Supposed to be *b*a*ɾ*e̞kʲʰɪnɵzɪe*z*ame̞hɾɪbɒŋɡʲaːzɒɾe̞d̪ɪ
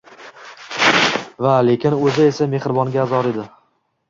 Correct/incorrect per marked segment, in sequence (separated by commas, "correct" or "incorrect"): incorrect, incorrect, incorrect